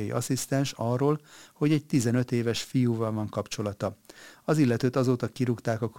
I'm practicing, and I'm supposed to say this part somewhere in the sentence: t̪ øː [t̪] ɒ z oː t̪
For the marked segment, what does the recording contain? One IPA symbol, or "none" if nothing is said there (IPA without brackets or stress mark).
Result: t̪